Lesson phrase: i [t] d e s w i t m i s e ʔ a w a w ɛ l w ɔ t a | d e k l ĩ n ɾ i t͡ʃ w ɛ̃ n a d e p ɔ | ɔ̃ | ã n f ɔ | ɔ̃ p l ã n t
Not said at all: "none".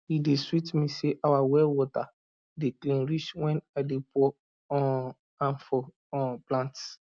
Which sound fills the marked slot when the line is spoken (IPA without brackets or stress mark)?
none